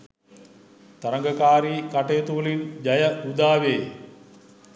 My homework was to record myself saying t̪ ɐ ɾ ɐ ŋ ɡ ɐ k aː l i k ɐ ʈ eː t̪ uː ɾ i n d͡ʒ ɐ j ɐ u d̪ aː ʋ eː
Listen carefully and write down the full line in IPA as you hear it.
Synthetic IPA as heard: t̪ ɐ ɾ ɐ ŋ ɡ ɐ k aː ɾ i k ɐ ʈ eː t̪ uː l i n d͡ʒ ɐ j ɐ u d̪ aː ʋ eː